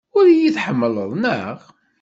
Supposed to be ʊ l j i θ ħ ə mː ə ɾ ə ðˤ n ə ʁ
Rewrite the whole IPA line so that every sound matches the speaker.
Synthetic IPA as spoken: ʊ ɾ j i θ ħ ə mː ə l ə ðˤ n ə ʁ